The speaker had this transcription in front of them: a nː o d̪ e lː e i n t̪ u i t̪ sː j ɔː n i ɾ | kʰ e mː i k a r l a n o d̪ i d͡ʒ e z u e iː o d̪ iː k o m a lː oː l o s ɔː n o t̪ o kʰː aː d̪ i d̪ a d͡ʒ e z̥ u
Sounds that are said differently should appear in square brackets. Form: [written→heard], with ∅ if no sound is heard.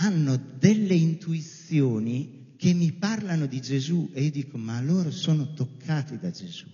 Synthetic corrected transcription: a nː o d̪ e lː e i n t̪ u i t̪ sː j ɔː n i [ɾ→∅] | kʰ e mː i [k→p] a r l a n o d̪ i d͡ʒ e z u e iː o d̪ iː k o m a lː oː [l→ɾ] o s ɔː n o t̪ o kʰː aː [d̪→t̪] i d̪ a d͡ʒ e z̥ u